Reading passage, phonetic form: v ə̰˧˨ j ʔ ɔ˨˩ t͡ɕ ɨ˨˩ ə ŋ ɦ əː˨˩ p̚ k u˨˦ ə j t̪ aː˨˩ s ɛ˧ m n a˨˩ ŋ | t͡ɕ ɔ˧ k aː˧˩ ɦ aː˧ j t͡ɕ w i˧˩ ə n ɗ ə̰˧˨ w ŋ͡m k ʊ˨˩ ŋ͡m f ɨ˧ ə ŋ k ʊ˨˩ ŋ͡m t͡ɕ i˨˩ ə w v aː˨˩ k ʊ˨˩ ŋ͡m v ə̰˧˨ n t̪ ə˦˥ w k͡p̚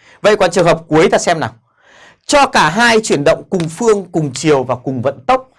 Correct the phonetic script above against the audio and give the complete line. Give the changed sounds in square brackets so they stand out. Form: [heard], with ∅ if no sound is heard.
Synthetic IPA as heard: v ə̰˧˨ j [k] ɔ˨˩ t͡ɕ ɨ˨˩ ə ŋ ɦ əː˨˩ p̚ k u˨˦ ə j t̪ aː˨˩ s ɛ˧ m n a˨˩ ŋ | t͡ɕ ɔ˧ k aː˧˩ ɦ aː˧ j t͡ɕ w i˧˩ ə n ɗ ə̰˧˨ w ŋ͡m k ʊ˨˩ ŋ͡m f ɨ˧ ə ŋ k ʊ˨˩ ŋ͡m t͡ɕ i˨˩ ə w v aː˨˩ k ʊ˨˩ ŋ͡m v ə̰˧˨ n t̪ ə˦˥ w k͡p̚